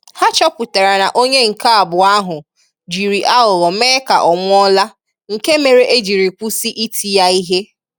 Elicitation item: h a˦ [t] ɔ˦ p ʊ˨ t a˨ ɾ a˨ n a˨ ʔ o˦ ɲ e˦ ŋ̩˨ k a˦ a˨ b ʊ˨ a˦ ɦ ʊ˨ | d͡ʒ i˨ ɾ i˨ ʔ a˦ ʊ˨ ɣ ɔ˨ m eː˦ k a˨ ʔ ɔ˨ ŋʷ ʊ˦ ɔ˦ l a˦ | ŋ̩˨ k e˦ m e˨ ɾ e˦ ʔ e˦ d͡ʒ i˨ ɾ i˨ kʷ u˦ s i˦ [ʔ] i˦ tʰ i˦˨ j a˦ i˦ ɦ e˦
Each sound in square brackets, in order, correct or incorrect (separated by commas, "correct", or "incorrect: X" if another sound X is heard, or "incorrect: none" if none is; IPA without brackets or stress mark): incorrect: t͡ʃ, correct